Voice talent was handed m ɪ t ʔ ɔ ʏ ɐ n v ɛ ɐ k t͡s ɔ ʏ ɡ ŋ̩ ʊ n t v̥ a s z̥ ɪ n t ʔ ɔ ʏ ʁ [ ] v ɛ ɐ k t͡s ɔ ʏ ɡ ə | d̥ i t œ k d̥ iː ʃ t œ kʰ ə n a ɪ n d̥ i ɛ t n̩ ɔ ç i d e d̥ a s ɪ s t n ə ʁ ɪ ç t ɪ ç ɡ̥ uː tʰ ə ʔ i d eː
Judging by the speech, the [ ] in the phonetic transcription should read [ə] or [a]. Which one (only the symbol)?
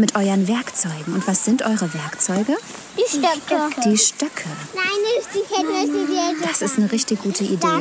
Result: ə